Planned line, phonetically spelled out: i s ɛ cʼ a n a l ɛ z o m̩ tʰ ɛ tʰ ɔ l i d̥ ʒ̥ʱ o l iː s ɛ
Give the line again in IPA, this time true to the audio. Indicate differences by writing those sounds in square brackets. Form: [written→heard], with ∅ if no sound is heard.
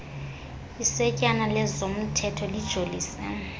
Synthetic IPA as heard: i s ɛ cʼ a n a l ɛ z o m̩ tʰ ɛ tʰ ɔ l i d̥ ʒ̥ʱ o l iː s ɛ